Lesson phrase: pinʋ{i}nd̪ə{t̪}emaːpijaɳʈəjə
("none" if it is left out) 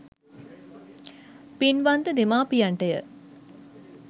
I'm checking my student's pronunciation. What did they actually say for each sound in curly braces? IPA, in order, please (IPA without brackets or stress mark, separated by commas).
a, d̪